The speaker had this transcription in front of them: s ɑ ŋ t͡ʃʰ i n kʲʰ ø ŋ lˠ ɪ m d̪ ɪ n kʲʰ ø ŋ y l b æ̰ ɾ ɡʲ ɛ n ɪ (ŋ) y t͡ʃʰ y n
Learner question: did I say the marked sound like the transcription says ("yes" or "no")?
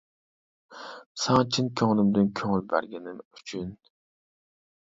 no